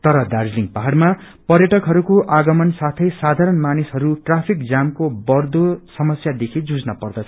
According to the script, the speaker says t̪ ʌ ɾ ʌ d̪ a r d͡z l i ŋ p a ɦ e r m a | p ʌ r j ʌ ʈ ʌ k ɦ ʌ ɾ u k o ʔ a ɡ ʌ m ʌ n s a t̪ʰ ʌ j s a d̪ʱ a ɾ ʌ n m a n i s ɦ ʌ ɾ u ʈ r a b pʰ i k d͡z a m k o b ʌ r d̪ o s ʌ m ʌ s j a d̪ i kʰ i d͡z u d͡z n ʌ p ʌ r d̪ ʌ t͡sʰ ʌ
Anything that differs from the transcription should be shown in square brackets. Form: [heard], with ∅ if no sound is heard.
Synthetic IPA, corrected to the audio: t̪ ʌ ɾ ʌ d̪ a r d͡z l i ŋ p a ɦ [a] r m a | p ʌ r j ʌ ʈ ʌ k ɦ ʌ ɾ u k o ʔ a ɡ ʌ m ʌ n s a t̪ʰ ʌ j s a d̪ʱ a ɾ ʌ n m a n i s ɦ ʌ ɾ u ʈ r a [∅] pʰ i k d͡z a m k o b ʌ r d̪ o s ʌ m ʌ s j a d̪ [e] kʰ i d͡z u d͡z n ʌ p ʌ r d̪ ʌ t͡sʰ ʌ